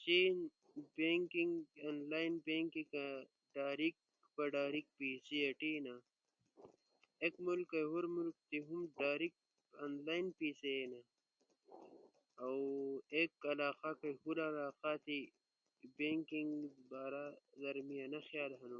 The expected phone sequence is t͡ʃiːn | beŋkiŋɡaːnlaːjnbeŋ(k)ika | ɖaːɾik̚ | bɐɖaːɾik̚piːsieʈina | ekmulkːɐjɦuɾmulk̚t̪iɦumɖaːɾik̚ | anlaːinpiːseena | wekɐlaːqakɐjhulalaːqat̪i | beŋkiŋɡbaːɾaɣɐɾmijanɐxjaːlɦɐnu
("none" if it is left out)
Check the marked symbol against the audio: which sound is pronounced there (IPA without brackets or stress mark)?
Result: k